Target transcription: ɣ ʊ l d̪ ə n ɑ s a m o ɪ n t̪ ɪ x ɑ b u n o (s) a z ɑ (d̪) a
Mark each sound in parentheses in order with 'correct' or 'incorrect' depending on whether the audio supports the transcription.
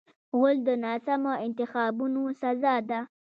correct, correct

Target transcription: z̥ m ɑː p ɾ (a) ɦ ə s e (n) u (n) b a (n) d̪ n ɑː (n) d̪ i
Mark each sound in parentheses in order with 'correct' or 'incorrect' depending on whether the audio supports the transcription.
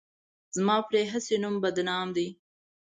incorrect: e, correct, incorrect: m, incorrect: none, incorrect: m

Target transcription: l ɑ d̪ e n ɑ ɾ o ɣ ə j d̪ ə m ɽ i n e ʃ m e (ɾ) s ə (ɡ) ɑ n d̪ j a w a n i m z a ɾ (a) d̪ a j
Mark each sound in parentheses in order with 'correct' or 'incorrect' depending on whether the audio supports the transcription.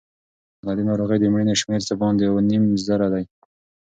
correct, incorrect: b, correct

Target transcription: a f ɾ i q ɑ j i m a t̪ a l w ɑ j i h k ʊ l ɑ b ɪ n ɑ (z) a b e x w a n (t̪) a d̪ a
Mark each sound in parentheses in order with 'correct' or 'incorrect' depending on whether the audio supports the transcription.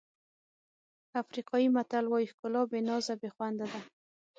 correct, incorrect: d̪

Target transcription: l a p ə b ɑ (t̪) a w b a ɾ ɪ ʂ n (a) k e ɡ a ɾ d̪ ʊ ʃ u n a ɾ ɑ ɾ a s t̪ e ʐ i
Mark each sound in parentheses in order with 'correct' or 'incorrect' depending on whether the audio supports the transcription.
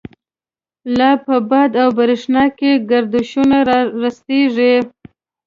incorrect: d̪, incorrect: ɑ

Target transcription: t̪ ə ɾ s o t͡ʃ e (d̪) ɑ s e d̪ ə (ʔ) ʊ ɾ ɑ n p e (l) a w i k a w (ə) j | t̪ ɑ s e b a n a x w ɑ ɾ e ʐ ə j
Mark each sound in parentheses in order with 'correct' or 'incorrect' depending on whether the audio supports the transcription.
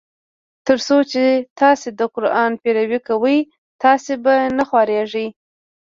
incorrect: t̪, incorrect: q, incorrect: ɾ, correct

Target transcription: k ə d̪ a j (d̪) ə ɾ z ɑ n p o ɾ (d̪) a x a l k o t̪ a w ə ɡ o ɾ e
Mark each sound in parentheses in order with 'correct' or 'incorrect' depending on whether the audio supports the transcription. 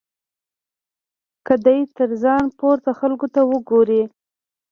incorrect: t̪, incorrect: t̪

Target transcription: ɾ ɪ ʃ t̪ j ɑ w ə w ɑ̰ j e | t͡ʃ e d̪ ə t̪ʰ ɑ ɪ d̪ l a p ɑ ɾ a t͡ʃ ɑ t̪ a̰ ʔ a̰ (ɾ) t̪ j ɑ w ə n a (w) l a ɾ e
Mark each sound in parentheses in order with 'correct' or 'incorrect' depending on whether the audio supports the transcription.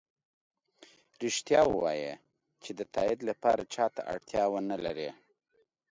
incorrect: ɽ, incorrect: none

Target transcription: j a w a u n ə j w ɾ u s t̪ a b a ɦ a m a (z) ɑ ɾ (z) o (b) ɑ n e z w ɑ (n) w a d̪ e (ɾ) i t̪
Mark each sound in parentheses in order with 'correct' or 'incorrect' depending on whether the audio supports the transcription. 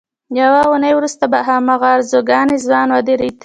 incorrect: ɣ, correct, incorrect: ɡ, correct, correct

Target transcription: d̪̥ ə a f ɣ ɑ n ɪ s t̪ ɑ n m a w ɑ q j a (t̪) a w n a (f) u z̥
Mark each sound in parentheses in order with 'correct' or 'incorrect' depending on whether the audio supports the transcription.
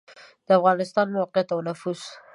correct, correct

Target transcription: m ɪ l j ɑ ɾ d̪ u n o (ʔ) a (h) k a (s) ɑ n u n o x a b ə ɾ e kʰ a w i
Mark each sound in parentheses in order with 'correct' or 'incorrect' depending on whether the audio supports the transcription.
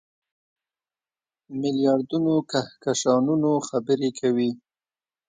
incorrect: k, correct, incorrect: ʃ

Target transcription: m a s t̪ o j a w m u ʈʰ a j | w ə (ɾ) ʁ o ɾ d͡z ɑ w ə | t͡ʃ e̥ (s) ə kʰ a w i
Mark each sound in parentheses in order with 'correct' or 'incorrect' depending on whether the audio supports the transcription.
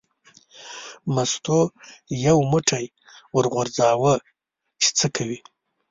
correct, incorrect: t͡s

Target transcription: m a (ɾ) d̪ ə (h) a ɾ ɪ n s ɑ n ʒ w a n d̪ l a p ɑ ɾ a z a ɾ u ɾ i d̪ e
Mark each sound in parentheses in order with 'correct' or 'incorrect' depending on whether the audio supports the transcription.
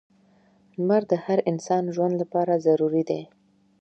correct, correct

